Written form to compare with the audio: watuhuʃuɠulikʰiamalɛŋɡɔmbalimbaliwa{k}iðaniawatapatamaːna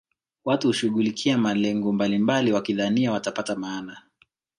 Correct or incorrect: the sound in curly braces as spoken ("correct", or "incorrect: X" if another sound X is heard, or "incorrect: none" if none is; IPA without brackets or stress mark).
correct